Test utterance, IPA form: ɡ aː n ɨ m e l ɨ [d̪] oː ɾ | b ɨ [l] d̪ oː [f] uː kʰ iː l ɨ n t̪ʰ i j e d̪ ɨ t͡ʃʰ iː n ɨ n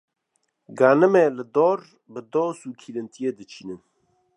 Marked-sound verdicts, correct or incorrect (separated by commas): correct, incorrect, incorrect